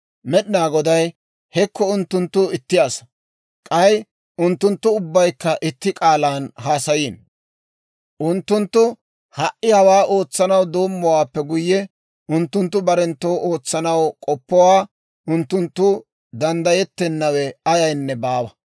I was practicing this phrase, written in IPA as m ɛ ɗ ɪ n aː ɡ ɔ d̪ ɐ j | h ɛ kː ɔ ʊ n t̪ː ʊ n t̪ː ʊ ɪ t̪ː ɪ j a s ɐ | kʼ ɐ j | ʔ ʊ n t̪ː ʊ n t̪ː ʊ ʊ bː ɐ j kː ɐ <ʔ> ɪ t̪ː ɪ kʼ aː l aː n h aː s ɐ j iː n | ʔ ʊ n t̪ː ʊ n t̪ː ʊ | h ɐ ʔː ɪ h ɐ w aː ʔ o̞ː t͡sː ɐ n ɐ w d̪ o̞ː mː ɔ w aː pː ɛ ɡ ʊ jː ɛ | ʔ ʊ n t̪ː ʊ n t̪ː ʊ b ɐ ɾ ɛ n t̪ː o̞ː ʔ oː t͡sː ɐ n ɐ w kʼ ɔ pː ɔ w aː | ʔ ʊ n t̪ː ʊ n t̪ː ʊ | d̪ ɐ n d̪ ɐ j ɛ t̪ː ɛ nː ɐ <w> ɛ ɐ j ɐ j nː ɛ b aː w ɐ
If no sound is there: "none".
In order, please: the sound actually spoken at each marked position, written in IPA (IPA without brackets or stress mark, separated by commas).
ʔ, w